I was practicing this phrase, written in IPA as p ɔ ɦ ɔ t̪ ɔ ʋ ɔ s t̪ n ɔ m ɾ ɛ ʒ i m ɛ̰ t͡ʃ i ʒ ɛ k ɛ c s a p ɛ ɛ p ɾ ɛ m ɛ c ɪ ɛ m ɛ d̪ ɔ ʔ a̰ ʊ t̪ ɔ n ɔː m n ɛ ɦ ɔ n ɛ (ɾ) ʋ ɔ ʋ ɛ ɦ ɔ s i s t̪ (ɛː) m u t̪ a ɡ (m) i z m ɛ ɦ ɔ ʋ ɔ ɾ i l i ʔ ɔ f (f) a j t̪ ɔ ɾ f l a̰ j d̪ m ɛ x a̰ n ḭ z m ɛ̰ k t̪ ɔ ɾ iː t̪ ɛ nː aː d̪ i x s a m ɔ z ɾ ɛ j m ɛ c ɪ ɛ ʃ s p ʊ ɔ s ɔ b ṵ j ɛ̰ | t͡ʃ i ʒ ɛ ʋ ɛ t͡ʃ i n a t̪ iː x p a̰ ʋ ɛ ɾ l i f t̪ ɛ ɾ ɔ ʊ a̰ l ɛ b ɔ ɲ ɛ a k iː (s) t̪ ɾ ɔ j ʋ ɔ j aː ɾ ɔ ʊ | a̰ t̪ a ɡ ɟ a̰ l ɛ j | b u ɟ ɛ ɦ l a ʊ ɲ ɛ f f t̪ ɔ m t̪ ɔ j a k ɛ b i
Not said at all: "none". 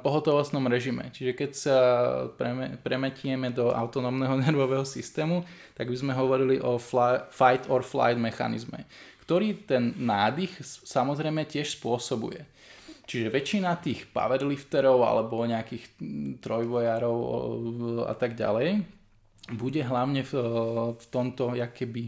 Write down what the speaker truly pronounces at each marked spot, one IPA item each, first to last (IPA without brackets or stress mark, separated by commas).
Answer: ɾ, ɛː, b, f, x